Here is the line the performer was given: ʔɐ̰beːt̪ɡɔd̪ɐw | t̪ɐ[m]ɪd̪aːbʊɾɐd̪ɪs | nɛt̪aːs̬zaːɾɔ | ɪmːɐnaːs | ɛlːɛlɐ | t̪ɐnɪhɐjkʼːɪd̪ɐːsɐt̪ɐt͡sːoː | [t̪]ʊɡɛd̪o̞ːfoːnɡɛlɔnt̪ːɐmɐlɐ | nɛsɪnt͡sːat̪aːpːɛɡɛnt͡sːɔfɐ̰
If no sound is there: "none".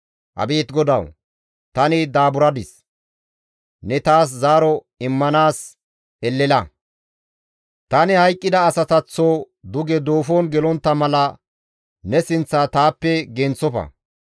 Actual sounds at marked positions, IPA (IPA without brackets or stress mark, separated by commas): n, d̪